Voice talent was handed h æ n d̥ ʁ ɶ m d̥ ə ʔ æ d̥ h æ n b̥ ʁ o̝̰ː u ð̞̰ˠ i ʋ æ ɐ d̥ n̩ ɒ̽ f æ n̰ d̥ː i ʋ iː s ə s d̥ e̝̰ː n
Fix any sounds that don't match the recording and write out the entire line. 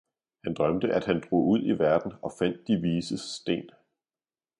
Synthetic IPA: h æ n d̥ ʁ ɶ m d̥ ə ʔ æ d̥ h æ n d̥ ʁ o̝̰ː u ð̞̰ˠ i ʋ æ ɐ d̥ n̩ ɒ̽ f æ n̰ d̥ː i ʋ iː s ə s d̥ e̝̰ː n